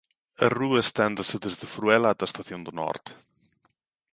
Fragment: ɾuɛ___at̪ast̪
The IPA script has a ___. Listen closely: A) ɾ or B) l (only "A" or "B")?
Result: B